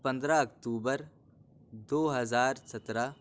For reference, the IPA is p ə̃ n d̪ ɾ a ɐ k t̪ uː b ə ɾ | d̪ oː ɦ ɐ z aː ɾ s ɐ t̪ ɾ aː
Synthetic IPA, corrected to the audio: p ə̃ n d̪ ɾ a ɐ k t̪ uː b ə ɾ | d̪ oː ɦ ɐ z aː ɾ s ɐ t̪ ɾ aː